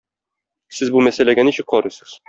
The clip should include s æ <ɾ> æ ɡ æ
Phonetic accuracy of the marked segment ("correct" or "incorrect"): incorrect